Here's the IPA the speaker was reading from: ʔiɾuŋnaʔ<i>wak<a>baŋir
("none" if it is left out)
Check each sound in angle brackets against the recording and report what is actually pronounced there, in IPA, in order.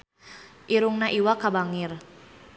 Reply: i, a

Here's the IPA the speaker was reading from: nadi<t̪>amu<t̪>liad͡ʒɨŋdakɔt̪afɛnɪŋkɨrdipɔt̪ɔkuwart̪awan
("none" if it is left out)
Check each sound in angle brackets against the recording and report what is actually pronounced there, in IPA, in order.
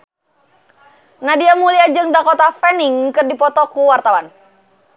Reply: none, none

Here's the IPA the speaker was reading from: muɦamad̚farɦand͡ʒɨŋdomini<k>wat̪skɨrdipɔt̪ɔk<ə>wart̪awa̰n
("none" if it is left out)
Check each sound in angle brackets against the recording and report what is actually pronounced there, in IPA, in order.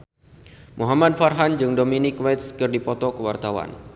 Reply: k, ə

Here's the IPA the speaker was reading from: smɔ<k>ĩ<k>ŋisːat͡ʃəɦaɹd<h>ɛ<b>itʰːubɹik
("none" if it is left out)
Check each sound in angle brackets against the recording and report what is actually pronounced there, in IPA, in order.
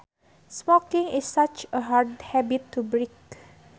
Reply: k, none, h, b

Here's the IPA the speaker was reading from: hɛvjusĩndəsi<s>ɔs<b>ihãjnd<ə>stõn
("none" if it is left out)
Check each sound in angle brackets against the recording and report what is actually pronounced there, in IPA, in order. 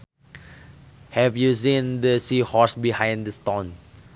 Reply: h, b, ə

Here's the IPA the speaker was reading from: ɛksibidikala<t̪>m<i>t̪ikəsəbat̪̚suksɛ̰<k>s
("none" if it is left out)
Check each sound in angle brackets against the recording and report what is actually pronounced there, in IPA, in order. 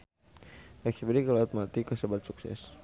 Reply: t̪, a, none

